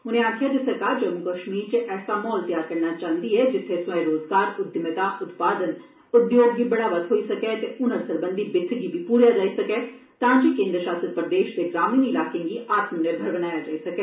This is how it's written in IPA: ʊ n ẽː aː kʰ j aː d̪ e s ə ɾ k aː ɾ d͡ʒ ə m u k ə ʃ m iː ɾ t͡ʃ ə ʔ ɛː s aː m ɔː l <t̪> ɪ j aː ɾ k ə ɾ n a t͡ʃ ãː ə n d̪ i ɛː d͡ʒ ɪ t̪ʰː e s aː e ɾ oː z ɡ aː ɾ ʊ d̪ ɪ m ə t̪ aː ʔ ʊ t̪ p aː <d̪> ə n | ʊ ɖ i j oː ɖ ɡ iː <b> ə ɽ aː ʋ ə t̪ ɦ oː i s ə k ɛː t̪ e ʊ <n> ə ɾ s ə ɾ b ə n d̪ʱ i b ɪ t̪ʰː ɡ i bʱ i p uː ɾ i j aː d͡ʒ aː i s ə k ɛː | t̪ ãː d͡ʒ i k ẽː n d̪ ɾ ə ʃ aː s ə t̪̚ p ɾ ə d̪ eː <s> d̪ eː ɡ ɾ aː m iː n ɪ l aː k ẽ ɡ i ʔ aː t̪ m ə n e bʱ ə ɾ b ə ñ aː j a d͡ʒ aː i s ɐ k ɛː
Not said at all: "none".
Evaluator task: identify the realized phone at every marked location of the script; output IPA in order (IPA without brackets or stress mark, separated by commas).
t̪, d̪, b, n, ʃ